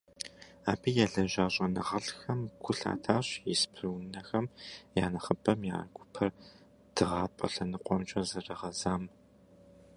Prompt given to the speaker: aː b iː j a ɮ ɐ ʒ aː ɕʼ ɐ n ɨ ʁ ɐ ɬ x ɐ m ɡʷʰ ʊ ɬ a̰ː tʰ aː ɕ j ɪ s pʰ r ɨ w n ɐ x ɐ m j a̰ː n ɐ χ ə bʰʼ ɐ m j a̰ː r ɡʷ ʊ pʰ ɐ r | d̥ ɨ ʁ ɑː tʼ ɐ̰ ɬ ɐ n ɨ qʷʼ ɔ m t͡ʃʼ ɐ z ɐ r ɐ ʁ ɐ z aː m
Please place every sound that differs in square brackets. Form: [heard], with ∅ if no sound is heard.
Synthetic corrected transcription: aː b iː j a ɮ ɐ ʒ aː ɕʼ ɐ n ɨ ʁ ɐ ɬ x ɐ m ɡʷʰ ʊ ɬ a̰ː tʰ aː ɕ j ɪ s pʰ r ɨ w n ɐ x ɐ m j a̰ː n ɐ χ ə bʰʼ ɐ m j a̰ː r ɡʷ ʊ pʰ ɐ r | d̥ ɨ ʁ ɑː [pʼ] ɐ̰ ɬ ɐ n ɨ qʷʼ ɔ m t͡ʃʼ ɐ z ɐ r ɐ ʁ ɐ z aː m